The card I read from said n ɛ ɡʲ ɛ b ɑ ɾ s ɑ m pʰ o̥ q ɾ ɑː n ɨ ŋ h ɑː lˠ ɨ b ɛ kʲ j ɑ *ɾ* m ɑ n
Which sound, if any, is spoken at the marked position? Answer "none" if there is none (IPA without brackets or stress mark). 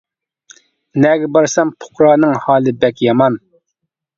none